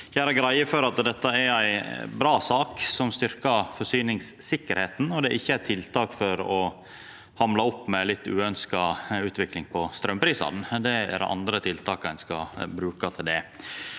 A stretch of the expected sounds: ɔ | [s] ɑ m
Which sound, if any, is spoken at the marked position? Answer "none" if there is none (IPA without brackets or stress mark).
h